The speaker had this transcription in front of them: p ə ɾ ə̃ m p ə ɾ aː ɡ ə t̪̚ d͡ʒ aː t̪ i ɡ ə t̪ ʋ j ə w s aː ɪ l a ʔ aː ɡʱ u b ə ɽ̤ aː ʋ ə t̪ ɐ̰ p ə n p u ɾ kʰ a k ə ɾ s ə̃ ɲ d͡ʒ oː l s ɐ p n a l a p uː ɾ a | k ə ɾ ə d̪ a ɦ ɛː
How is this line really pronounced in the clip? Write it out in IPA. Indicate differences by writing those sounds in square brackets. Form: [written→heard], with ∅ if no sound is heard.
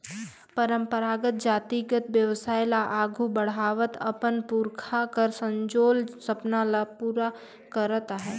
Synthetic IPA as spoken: p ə ɾ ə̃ m p ə ɾ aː ɡ ə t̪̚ d͡ʒ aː t̪ i ɡ ə t̪ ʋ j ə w s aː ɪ l a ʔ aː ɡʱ u b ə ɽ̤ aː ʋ ə t̪ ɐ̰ p ə n p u ɾ kʰ a k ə ɾ s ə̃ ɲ d͡ʒ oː l s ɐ p n a l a p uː ɾ a | k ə ɾ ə [d̪→t̪] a ɦ ɛː